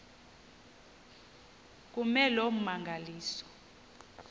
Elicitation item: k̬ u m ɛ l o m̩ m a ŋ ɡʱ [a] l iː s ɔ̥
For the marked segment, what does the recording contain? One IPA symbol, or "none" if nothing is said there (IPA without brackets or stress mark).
a